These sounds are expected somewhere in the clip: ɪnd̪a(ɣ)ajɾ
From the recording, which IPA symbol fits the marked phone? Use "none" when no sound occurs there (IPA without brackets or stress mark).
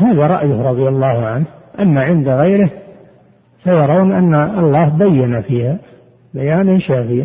ɣ